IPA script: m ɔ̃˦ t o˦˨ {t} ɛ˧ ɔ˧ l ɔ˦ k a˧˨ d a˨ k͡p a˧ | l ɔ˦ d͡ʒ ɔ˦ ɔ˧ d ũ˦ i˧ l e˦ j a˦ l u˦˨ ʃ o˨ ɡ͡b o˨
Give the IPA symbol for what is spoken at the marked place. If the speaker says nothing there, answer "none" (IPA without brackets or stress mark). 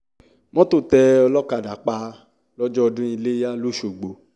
t